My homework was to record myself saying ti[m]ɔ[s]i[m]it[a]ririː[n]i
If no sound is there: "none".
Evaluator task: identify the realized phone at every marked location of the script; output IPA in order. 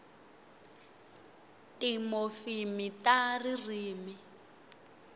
m, f, m, a, m

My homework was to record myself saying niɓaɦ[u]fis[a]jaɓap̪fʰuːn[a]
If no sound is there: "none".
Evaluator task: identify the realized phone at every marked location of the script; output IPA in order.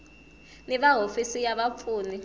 o, i, i

